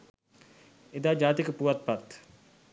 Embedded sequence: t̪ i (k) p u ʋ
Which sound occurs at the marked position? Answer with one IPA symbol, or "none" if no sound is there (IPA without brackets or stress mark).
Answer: k